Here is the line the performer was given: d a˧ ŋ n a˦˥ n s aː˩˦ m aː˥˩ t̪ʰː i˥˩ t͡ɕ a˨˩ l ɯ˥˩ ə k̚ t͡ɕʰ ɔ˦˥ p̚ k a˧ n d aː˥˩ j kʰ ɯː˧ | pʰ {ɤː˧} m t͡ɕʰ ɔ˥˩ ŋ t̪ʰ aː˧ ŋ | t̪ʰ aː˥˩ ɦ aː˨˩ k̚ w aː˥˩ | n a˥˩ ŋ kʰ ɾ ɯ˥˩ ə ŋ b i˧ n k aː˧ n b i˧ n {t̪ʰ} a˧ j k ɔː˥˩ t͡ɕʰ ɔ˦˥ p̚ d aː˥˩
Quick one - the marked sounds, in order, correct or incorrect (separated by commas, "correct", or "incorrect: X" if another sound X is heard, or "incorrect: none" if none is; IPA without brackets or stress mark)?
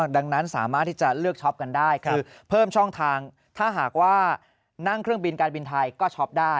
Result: incorrect: ɤː˥˩, correct